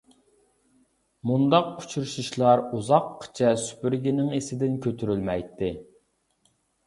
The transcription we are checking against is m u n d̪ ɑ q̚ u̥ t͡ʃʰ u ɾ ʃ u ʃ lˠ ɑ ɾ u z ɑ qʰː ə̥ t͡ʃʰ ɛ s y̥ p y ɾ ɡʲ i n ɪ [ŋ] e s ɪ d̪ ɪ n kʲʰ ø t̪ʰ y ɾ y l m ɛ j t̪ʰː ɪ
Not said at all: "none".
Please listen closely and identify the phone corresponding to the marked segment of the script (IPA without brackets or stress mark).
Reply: ŋ